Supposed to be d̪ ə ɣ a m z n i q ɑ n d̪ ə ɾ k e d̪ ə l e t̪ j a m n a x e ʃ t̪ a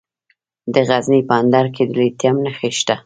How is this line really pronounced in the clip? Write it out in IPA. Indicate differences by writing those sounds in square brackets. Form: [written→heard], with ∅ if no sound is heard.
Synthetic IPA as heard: d̪ ə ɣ a [m→∅] z n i [q→p] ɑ n d̪ [ə→ɑ] ɾ k e d̪ ə l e t̪ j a m n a x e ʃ t̪ a